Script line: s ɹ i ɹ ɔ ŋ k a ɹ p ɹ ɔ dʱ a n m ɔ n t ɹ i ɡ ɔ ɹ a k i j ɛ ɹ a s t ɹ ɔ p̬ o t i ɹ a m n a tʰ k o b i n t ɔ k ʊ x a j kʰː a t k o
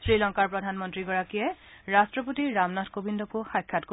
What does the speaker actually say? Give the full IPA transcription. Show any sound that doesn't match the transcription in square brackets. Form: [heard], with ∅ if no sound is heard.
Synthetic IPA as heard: s ɹ i [l] ɔ ŋ k a ɹ p ɹ ɔ dʱ a n m ɔ n t ɹ i ɡ ɔ ɹ a k i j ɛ ɹ a s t ɹ ɔ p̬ o t i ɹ a m n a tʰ k o b i n [d] ɔ k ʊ x a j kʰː a t k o